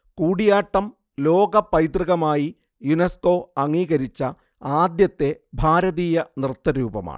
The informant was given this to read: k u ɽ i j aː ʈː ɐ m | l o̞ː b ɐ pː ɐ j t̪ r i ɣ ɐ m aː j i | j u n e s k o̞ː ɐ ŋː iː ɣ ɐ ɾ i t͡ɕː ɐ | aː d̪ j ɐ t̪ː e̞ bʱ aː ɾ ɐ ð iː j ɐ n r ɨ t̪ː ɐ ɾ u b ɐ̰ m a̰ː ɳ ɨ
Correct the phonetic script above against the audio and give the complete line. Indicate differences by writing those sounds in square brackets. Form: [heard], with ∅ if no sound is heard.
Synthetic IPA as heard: k [uː] ɽ i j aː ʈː ɐ m | l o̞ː [ɡ] ɐ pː ɐ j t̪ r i ɣ ɐ m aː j i | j u n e s k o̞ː ɐ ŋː iː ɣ ɐ ɾ i t͡ɕː ɐ | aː d̪ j ɐ t̪ː e̞ bʱ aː ɾ ɐ ð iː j ɐ n r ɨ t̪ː ɐ ɾ [uː] b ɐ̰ m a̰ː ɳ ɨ